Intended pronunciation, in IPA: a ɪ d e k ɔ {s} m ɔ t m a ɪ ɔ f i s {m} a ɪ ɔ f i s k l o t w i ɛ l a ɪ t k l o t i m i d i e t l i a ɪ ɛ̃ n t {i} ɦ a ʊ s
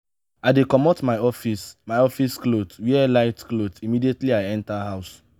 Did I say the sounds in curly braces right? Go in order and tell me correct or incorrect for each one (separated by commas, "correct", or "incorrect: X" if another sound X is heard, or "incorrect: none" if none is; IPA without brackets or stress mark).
incorrect: none, correct, incorrect: a